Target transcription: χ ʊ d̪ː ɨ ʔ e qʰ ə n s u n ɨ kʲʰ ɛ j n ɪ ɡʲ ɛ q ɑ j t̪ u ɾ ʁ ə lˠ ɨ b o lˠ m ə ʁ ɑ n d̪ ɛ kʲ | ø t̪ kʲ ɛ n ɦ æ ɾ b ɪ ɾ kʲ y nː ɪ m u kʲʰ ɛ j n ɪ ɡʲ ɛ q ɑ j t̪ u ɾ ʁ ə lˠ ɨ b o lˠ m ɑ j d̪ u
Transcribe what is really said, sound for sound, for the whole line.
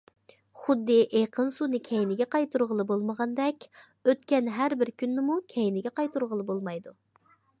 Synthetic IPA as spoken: χ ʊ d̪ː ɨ ʔ e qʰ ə n s u n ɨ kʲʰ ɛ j n ɪ ɡʲ ɛ q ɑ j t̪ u ɾ ʁ ə lˠ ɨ b o lˠ m ə ʁ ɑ n d̪ ɛ kʲ | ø t̪ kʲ ɛ n ɦ æ ɾ b ɪ ɾ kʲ y nː ɪ m u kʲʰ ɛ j n ɪ ɡʲ ɛ q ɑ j t̪ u ɾ ʁ ə lˠ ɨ b o lˠ m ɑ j d̪ u

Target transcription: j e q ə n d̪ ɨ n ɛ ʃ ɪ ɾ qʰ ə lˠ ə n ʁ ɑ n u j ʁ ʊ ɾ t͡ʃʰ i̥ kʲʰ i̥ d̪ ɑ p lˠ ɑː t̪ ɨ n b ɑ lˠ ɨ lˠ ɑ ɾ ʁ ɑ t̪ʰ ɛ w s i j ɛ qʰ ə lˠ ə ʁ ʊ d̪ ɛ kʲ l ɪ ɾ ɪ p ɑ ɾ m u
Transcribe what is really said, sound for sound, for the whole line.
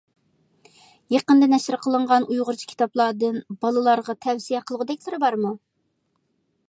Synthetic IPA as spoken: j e q ə n d̪ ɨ n ɛ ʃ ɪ ɾ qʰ ə lˠ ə ɴ ʁ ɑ n u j ʁ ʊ ɾ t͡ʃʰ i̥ kʲʰ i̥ t̪ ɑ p lˠ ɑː d̪ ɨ n b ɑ lˠ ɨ lˠ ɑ ɾ ʁ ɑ t̪ʰ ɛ w s i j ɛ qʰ ə lˠ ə ʁ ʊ d̪ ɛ kʲ l ɪ ɾ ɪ b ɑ ɾ m u

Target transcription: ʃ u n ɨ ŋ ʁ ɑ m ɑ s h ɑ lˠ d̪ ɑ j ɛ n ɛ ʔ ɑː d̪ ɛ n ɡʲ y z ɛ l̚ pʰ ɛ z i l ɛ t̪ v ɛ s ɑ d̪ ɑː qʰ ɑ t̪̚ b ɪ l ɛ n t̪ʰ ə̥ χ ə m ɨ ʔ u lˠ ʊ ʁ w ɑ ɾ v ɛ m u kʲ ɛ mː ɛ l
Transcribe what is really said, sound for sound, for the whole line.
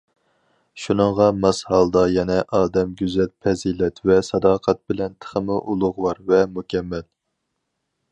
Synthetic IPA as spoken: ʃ u n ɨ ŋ ʁ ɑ m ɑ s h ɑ lˠ d̪ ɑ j ɛ n ɛ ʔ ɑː d̪ ɛ m ɡʲ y z ɛ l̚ pʰ ɛ z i l ɛ t̪ v ɛ s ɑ d̪ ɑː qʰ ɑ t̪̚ b ɪ l ɛ n t̪ʰ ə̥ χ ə m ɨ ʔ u lˠ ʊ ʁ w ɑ ɾ v ɛ m u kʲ ɛ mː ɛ l

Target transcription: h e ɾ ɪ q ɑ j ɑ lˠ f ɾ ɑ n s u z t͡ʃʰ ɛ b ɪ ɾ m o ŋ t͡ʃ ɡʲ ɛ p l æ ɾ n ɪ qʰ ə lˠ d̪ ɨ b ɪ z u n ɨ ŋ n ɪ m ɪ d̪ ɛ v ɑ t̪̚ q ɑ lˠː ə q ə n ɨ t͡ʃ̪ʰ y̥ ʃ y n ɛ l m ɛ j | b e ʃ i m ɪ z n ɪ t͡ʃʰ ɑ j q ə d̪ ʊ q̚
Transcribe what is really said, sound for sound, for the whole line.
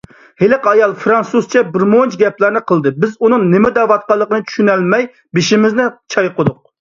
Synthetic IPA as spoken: h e l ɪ q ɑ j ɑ lˠ f ɾ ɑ n s u z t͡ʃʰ ɛ b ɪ ɾ m o n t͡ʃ ɡʲ ɛ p l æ ɾ n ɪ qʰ ə lˠ d̪ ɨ b ɪ z u n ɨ ŋ n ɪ m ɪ d̪ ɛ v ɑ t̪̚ q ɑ lˠː ə q ə n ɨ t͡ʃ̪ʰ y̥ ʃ y n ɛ l m ɛ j | b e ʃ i m ɪ z n ɪ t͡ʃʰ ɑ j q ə d̪ ʊ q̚

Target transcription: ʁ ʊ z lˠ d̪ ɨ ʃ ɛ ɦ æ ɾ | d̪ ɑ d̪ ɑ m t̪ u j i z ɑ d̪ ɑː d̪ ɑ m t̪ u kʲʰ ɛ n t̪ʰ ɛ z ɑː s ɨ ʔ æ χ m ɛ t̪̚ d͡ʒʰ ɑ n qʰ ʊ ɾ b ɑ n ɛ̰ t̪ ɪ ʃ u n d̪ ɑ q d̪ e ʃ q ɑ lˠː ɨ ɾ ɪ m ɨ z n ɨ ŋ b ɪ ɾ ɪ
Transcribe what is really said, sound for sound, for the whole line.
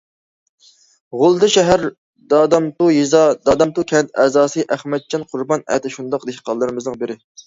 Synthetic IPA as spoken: ʁ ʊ lˠ d̪ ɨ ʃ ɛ ɦ æ ɾ | d̪ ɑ d̪ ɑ m t̪ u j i z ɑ d̪ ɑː d̪ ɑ m t̪ u kʲʰ ɛ n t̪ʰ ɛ z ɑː s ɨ ʔ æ χ m ɛ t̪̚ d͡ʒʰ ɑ n qʰ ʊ ɾ b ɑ n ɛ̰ t̪ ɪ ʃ u n d̪ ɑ q d̪ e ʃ q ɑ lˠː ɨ ɾ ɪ m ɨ z n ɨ ŋ b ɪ ɾ ɪ

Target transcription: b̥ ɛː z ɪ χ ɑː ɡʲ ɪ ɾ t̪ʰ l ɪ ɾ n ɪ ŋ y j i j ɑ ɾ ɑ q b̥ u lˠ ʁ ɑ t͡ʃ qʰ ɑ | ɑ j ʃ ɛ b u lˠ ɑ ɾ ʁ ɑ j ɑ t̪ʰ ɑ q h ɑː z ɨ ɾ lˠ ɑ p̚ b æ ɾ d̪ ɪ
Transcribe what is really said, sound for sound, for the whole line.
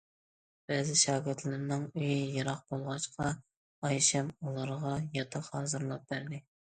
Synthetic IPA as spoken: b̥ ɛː z ɪ ʃ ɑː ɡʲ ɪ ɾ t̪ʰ l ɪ ɾ n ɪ ŋ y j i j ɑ ɾ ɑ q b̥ o lˠ ʁ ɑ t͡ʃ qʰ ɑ | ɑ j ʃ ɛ m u lˠ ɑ ɾ ʁ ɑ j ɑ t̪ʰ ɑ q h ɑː z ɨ ɾ lˠ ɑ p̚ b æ ɾ d̪ ɪ

